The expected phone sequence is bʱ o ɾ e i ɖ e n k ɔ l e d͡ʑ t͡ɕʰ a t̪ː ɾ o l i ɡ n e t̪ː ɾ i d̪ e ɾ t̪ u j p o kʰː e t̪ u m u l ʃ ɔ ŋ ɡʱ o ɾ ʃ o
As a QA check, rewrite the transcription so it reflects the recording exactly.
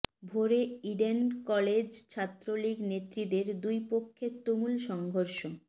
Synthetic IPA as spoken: bʱ o ɾ e i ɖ e n k ɔ l e d͡ʑ t͡ɕʰ a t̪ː ɾ o l i ɡ n e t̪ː ɾ i d̪ e ɾ d̪ u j p o kʰː e t̪ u m u l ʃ ɔ ŋ ɡʱ o ɾ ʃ o